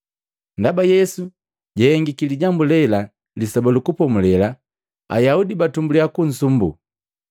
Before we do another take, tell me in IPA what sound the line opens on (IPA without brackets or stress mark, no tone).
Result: n